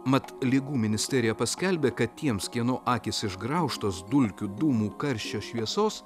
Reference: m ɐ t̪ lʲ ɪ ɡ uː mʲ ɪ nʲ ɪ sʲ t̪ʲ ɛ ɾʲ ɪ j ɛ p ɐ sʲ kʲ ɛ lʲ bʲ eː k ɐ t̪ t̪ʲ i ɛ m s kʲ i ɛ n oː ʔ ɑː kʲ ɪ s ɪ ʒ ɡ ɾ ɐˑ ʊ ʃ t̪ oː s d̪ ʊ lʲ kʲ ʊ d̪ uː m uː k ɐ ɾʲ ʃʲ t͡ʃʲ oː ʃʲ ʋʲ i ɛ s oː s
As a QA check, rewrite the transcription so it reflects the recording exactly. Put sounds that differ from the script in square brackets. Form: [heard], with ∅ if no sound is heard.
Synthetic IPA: m ɐ t̪ lʲ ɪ ɡ uː mʲ ɪ nʲ ɪ sʲ t̪ʲ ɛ ɾʲ ɪ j ɛ p ɐ sʲ kʲ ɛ lʲ bʲ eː k ɐ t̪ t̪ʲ i ɛ m s kʲ i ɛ n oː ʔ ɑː kʲ ɪ s ɪ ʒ ɡ ɾ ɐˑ ʊ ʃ t̪ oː s d̪ ʊ lʲ kʲ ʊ d̪ uː m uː k ɐ ɾʲ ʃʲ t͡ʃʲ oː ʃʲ ʋʲ i ɛ s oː s

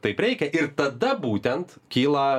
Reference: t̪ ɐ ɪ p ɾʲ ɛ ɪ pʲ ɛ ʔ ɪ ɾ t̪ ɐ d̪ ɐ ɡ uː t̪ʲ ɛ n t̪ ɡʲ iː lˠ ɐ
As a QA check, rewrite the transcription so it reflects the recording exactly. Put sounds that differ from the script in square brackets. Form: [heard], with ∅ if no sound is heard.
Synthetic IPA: t̪ ɐ ɪ p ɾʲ ɛ ɪ [kʲ] ɛ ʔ ɪ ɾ t̪ ɐ d̪ ɐ [b] uː t̪ʲ ɛ n t̪ [kʲ] iː lˠ ɐ

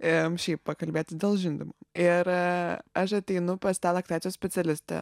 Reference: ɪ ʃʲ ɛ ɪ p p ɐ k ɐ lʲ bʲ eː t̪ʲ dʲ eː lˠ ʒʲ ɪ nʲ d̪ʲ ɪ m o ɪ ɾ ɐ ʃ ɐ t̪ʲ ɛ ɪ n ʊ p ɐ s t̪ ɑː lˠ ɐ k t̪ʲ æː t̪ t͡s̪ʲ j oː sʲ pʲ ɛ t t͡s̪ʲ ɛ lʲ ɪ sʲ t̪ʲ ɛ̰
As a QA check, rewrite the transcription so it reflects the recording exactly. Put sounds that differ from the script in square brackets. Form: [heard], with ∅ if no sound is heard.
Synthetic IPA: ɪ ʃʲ ɛ ɪ p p ɐ k ɐ lʲ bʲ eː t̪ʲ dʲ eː lˠ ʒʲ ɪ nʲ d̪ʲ ɪ m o ɪ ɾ ɐ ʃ ɐ t̪ʲ ɛ ɪ n ʊ p ɐ s t̪ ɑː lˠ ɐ k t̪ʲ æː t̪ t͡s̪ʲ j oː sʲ pʲ ɛ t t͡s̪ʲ ɛ lʲ ɪ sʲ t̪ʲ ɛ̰

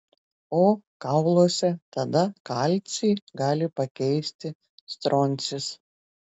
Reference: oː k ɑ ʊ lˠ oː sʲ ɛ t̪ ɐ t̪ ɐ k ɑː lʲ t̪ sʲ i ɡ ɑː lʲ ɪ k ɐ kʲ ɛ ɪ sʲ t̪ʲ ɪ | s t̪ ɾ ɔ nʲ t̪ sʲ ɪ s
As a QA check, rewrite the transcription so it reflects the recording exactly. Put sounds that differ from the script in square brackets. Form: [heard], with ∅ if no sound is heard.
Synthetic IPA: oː k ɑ ʊ lˠ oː sʲ ɛ t̪ ɐ [d̪] ɐ k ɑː lʲ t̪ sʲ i ɡ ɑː lʲ ɪ [p] ɐ kʲ ɛ ɪ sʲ t̪ʲ ɪ | s t̪ ɾ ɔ nʲ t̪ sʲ ɪ s

